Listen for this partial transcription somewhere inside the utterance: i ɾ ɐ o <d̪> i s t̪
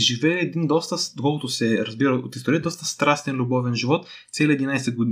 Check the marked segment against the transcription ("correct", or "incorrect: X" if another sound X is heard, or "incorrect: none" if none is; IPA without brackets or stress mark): incorrect: t̪